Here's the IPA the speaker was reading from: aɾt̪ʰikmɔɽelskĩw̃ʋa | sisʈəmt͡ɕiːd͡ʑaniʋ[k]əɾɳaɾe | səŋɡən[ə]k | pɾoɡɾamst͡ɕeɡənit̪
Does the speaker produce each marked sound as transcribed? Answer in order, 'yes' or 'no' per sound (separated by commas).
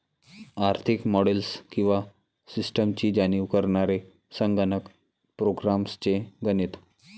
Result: yes, yes